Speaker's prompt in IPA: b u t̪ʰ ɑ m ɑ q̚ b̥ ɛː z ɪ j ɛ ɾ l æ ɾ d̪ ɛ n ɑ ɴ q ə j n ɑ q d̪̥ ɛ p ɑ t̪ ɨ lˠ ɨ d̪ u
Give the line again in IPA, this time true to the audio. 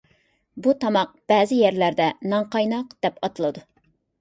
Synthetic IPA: b u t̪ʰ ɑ m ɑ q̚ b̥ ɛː z ɪ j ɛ ɾ l æ ɾ d̪ ɛ n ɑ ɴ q ɑ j n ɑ q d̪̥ ɛ p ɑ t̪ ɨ lˠ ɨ d̪ u